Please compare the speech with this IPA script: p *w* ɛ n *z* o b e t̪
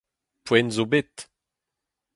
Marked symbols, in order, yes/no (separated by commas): yes, yes